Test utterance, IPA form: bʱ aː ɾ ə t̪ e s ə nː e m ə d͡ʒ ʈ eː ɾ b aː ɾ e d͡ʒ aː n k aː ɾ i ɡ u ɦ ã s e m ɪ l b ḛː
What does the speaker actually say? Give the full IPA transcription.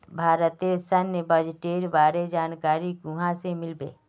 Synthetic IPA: bʱ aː ɾ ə t̪ e s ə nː e b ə d͡ʒ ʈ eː ɾ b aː ɾ e d͡ʒ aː n k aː ɾ i ɡ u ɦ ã s e m ɪ l b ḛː